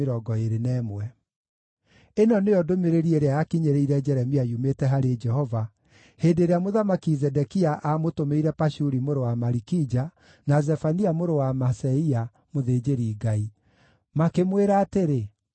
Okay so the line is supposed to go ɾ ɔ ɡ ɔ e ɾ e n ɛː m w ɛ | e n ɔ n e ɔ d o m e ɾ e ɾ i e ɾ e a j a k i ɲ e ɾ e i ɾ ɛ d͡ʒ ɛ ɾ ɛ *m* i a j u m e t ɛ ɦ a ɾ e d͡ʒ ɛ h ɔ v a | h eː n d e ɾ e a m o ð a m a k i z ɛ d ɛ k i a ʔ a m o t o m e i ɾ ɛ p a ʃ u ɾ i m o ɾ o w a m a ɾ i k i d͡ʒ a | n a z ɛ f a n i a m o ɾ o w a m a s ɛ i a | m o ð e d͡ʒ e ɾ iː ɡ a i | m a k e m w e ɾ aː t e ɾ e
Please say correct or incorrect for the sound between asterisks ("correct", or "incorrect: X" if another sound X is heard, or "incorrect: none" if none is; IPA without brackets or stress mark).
correct